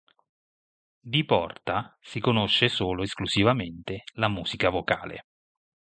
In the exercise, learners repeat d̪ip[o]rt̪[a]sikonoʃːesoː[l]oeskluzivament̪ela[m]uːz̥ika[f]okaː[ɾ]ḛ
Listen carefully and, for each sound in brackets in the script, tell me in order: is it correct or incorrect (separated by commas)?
incorrect, correct, correct, correct, incorrect, incorrect